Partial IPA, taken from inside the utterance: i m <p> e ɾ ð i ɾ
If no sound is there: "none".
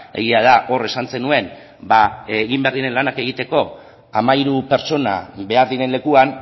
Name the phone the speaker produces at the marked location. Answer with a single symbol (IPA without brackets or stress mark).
b